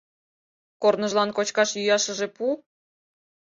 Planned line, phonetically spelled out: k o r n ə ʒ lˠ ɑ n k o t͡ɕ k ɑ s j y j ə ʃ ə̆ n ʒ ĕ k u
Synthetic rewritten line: k o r n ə ʒ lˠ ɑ n k o t͡ɕ k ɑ ʃ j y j ɑ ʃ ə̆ ʒ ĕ p u